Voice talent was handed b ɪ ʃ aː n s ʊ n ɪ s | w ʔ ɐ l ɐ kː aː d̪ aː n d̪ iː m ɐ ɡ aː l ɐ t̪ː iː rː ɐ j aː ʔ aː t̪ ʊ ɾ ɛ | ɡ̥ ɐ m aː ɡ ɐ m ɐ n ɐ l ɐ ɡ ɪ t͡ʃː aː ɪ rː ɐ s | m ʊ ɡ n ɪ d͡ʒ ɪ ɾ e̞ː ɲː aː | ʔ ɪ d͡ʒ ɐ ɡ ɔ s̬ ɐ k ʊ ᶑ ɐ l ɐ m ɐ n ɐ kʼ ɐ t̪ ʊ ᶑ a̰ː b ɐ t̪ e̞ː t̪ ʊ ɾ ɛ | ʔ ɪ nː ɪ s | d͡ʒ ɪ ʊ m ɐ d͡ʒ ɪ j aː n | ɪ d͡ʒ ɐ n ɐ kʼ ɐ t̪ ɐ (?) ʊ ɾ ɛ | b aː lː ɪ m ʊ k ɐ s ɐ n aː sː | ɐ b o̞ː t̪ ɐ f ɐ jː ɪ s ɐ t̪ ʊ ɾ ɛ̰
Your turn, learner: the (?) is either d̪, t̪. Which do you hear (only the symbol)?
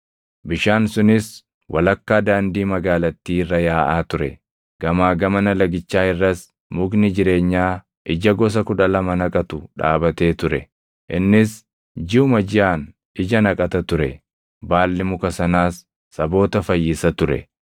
t̪